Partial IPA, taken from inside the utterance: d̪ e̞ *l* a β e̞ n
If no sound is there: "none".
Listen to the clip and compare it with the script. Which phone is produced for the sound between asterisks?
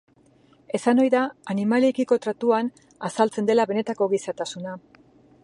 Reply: l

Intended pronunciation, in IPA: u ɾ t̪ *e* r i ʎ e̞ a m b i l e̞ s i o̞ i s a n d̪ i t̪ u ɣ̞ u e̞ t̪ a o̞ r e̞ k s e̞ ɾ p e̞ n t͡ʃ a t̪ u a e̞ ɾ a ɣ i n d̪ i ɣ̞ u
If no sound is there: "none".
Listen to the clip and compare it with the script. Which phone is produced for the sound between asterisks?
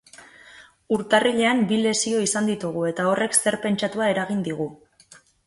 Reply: a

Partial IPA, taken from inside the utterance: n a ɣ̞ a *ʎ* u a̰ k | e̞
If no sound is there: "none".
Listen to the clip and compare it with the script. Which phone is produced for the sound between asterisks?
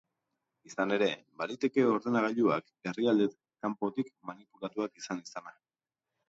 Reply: ʎ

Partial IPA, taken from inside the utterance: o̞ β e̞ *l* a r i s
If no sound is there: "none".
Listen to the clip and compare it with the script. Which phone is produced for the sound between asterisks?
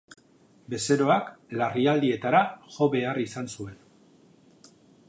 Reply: none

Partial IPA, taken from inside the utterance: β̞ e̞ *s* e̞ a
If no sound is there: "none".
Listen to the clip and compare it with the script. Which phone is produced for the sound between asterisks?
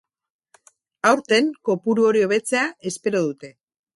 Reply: t͡s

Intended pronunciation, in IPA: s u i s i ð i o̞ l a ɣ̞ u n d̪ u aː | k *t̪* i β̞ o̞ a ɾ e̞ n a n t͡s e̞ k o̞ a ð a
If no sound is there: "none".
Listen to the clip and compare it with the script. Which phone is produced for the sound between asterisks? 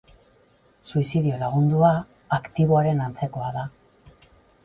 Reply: t̪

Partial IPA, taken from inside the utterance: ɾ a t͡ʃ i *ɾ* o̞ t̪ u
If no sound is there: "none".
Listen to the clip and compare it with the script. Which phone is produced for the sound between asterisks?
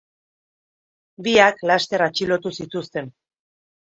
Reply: l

